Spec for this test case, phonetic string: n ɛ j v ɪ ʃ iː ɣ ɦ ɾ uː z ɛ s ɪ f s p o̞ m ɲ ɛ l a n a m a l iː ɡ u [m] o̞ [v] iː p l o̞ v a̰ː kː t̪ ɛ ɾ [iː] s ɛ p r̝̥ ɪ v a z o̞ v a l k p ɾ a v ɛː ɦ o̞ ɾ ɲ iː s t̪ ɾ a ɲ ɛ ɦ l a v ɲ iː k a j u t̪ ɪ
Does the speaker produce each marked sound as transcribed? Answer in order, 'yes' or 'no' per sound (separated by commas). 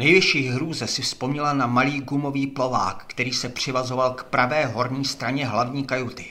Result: yes, yes, yes